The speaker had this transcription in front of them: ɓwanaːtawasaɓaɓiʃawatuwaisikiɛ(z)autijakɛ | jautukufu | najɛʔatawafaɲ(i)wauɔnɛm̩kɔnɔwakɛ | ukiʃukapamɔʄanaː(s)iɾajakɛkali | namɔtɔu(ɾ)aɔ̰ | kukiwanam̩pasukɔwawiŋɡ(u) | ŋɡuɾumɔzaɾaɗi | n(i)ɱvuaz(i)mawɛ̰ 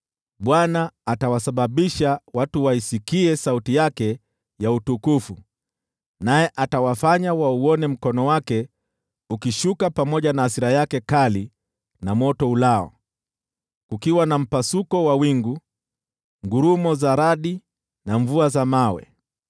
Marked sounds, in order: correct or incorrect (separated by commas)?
incorrect, incorrect, correct, incorrect, correct, incorrect, incorrect